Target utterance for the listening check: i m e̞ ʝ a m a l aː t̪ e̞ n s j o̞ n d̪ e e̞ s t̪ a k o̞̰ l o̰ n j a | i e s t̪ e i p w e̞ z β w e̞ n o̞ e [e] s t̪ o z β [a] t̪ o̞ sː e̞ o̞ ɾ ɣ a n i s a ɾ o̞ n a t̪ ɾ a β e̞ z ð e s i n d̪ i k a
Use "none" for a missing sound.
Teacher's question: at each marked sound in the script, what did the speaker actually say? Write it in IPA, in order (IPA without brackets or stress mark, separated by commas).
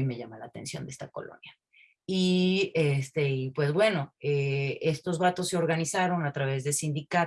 e, a